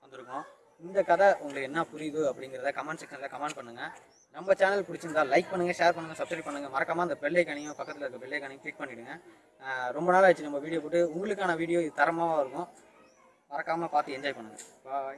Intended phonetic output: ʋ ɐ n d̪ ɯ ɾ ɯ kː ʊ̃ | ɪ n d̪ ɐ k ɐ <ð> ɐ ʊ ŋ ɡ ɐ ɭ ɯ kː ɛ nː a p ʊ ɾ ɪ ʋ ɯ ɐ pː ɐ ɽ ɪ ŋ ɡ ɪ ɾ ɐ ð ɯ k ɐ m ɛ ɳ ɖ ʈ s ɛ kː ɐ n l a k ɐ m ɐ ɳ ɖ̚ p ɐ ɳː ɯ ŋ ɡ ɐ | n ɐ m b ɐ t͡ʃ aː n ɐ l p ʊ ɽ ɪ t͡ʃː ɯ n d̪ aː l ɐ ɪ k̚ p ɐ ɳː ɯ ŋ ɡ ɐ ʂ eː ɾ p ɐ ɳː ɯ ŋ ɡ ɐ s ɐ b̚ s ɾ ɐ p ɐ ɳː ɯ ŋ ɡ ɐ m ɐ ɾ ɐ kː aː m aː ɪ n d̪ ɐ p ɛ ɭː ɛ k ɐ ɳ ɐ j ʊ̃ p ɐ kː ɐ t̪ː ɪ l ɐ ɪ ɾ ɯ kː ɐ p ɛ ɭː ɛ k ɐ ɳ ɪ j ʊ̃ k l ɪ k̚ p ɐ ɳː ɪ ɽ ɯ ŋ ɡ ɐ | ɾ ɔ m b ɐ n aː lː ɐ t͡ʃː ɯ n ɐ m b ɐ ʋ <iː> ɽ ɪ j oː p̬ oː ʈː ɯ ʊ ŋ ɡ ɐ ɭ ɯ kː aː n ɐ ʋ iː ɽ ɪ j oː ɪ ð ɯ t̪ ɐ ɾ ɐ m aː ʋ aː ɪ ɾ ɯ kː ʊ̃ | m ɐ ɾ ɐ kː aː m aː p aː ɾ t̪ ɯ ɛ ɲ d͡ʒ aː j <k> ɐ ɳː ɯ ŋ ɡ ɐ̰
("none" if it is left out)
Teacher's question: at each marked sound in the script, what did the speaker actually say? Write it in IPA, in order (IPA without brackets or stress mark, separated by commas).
ð, iː, p